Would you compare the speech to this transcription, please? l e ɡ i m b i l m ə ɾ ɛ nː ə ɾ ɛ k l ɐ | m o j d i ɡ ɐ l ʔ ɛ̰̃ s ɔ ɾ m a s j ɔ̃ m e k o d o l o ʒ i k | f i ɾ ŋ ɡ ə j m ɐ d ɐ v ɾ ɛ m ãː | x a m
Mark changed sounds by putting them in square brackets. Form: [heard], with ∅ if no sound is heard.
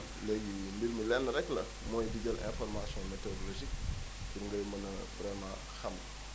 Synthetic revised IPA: l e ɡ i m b i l m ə [l] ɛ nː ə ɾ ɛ k l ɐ | m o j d i ɡ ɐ l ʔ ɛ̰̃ [f] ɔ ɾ m a s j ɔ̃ m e [t] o d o l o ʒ i k | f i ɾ ŋ ɡ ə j m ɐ [n] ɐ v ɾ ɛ m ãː | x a m